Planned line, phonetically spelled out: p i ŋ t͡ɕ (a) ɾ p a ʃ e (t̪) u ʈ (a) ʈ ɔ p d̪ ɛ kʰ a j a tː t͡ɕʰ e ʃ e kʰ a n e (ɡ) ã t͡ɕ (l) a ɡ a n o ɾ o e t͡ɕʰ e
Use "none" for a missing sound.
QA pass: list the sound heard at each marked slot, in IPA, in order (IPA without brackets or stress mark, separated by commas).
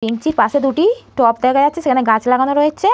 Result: i, d̪, i, ɡ, l